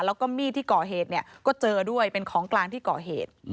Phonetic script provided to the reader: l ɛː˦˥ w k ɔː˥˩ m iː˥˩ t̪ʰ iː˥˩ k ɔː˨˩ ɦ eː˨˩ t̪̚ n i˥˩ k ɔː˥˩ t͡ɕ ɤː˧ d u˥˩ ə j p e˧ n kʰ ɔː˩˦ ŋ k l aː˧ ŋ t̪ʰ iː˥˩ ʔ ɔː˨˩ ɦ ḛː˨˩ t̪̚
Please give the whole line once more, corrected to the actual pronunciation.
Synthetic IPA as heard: l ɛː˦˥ w k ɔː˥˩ m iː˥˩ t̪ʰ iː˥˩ k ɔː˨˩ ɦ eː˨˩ t̪̚ n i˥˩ k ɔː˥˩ t͡ɕ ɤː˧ d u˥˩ ə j p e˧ n kʰ ɔː˩˦ ŋ k l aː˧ ŋ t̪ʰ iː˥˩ k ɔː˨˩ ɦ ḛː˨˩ t̪̚